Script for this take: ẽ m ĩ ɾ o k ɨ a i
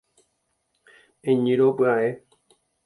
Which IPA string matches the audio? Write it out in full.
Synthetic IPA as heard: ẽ ɲ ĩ ɾ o p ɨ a e